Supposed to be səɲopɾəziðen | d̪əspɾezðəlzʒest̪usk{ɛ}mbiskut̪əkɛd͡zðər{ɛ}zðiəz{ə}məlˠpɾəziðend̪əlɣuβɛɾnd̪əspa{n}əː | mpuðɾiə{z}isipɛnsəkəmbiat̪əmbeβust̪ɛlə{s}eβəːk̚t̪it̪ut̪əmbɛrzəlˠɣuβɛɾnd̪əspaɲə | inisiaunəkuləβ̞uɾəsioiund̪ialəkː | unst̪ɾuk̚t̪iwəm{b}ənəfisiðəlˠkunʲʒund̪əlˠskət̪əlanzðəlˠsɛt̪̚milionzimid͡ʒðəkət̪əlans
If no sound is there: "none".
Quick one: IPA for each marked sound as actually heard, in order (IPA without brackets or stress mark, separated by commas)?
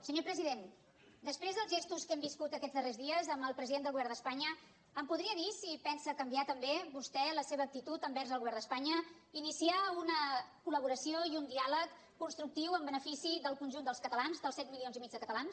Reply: ɛ, e, ə, ɲ, ð, s, b